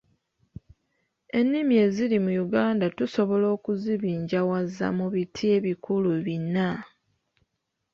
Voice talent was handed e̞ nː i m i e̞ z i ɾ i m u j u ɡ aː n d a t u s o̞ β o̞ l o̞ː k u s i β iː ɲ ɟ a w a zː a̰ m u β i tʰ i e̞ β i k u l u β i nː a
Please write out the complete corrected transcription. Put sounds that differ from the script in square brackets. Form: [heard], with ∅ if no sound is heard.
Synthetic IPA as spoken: e̞ nː i m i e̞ z i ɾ i m u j u ɡ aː n d a t u s o̞ β o̞ l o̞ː k u [z] i β iː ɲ ɟ a w a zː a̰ m u β i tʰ i e̞ β i k u l u β i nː a